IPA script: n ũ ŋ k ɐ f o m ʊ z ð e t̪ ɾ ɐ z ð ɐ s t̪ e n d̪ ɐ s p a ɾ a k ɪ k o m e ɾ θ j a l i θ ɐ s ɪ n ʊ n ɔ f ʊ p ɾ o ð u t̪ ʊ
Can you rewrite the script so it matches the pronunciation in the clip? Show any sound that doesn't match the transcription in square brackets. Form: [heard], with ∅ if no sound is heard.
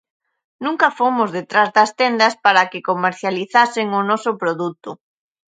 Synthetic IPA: n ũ ŋ k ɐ f o m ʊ z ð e t̪ ɾ [a] z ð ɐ s t̪ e n d̪ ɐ s p a ɾ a k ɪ k o m e ɾ θ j a l i θ [a] s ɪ [ŋ] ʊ n ɔ [s] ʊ p ɾ o ð u t̪ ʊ

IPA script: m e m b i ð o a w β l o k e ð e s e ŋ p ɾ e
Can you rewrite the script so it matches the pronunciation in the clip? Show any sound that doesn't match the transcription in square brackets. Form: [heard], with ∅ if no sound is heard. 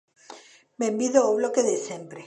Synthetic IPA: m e m b i ð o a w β l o k e ð e s e [m] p ɾ e

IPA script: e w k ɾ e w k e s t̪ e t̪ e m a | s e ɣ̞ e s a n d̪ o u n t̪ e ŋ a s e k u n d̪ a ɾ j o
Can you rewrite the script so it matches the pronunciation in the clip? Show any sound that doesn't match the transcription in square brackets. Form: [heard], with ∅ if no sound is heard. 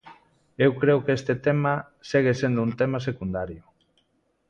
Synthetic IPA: e w k ɾ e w k e s t̪ e t̪ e m a | s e ɣ̞ e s [e] n d̪ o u n t̪ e [m] a s e k u n d̪ a ɾ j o

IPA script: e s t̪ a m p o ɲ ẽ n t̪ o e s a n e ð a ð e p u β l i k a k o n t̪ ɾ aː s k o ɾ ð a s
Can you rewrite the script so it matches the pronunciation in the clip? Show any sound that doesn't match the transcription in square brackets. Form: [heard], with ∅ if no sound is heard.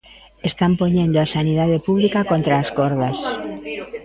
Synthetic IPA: e s t̪ a m p o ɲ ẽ n [d̪] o [a] s a n [i] ð a ð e p u β l i k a k o n t̪ ɾ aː s k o ɾ ð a s

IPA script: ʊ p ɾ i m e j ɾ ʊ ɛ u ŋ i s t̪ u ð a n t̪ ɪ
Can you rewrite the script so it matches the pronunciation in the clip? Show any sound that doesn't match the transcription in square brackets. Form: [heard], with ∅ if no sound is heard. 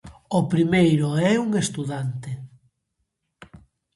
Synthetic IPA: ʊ p ɾ i m e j ɾ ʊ ɛ u ŋ [e] s t̪ u ð a n t̪ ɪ

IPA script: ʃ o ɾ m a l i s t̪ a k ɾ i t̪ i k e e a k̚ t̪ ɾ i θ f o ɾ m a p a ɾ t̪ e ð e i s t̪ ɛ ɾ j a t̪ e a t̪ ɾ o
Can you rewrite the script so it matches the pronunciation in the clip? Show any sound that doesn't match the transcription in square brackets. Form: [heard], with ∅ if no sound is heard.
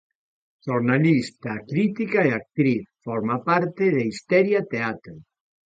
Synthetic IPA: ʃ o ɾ [n] a l i s t̪ a k ɾ i t̪ i k [a] e a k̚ t̪ ɾ i θ f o ɾ m a p a ɾ t̪ e ð e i s t̪ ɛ ɾ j a t̪ e a t̪ ɾ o

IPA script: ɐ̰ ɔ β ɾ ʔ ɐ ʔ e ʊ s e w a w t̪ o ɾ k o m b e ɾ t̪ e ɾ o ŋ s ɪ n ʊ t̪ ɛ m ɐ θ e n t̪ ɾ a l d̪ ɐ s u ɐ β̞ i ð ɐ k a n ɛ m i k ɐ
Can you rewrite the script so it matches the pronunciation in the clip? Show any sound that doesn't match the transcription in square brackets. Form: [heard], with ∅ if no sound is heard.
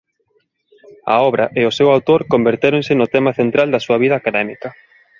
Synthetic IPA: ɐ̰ ɔ β ɾ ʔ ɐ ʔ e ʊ s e w a w t̪ o ɾ k o m b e ɾ t̪ e ɾ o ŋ s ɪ n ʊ t̪ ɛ m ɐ θ e n t̪ ɾ a l d̪ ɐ s u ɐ β̞ i ð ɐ k a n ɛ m i k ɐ

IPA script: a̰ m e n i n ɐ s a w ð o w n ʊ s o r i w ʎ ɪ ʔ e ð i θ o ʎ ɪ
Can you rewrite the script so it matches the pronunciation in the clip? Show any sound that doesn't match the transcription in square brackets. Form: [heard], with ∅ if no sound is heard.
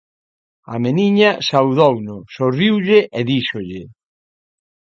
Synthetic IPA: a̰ m e n i [ɲ] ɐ s a w ð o w n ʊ s o r i w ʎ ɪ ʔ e ð i [ʃ] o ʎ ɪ

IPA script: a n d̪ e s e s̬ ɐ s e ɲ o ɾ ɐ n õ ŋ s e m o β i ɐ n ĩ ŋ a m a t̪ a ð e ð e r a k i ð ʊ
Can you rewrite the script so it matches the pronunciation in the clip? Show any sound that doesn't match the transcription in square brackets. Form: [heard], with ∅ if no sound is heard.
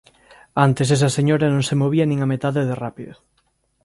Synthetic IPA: a n [t̪] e s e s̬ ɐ s e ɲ o ɾ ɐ n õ ŋ s e m o β i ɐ n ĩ ŋ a m [e] t̪ a ð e ð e r a [p] i ð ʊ

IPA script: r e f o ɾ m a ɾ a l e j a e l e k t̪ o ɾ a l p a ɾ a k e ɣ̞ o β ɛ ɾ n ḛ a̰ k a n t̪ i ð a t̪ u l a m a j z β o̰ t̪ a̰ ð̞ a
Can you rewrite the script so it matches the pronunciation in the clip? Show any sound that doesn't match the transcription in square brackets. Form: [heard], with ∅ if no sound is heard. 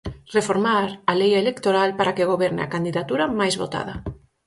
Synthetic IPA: r e f o ɾ m a ɾ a l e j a e l e k t̪ o ɾ a l p a ɾ a k e ɣ̞ o β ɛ ɾ n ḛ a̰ k a n [d̪] i ð a t̪ u [ɾ] a m a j z β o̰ t̪ a̰ ð̞ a

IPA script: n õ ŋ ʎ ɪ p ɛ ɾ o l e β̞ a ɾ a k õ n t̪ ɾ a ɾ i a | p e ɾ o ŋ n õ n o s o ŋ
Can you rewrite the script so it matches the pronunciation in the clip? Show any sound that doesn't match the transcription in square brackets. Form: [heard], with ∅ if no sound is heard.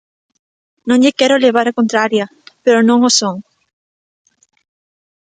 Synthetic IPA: n õ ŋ ʎ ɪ [k] ɛ ɾ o l e β̞ a ɾ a k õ n t̪ ɾ a ɾ [j] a | p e ɾ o [∅] n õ [ŋ] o s o ŋ

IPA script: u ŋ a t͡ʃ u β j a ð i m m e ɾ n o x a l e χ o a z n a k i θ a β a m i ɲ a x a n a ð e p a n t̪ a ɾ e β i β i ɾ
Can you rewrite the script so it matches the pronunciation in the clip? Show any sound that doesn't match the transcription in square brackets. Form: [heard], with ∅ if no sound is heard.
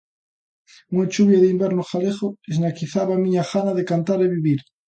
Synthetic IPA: u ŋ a t͡ʃ u β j a ð i m [b] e ɾ n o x a l e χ o [e] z n a k i θ a β a m i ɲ a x a n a ð e [k] a n t̪ a ɾ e β i β i ɾ

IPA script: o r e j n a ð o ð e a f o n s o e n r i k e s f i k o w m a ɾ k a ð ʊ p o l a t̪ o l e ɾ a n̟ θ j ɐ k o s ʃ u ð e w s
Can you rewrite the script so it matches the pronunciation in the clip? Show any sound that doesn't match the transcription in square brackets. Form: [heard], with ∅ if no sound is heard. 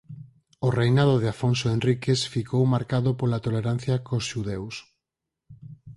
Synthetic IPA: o r e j n a ð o ð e a f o n s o e n r i k e s f i k o w m a ɾ k a ð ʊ p o l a t̪ o l e ɾ a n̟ θ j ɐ k o s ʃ u ð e w s

